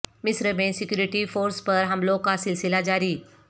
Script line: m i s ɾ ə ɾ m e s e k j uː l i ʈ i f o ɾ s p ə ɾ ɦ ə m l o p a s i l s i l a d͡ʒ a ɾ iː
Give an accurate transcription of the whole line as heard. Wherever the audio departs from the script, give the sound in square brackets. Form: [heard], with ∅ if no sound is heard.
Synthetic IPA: m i s ɾ ə [∅] m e s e k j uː [ɾ] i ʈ i f o ɾ s p ə ɾ ɦ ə m l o [k] a s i l s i l a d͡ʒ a ɾ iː